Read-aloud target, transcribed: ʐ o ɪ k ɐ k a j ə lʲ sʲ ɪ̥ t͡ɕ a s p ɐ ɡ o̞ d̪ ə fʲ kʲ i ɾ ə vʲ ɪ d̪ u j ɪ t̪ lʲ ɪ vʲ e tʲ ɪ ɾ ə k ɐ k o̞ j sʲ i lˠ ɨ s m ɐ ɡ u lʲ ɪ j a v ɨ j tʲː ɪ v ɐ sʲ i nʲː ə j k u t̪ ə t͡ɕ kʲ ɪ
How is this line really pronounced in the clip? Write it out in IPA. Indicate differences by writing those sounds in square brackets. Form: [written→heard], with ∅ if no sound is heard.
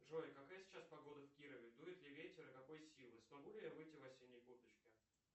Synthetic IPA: ʐ o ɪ k ɐ k a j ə [lʲ→∅] sʲ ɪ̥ t͡ɕ a s p ɐ ɡ o̞ d̪ ə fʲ kʲ i ɾ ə vʲ ɪ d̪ u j ɪ t̪ lʲ ɪ vʲ e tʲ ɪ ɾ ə k ɐ k o̞ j sʲ i lˠ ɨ s m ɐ ɡ u lʲ ɪ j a v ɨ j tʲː ɪ v ɐ sʲ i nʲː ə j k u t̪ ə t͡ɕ kʲ ɪ